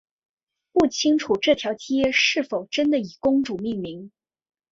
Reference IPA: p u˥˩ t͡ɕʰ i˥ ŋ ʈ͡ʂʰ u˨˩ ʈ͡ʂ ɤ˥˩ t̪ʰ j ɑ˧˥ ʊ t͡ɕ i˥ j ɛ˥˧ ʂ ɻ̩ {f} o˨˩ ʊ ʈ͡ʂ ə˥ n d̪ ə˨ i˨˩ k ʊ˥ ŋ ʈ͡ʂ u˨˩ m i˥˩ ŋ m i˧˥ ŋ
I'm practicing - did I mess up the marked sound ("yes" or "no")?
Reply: no